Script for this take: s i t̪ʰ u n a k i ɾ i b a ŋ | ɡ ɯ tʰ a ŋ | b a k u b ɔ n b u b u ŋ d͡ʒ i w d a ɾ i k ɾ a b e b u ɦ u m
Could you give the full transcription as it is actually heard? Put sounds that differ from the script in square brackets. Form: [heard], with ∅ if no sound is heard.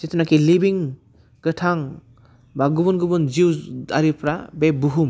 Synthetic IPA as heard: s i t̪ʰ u n a k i [l] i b [i] ŋ | ɡ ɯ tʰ a ŋ | b a [ɡ] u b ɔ n [ɡ] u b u [n] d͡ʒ i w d a ɾ i [p] ɾ a b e b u ɦ u m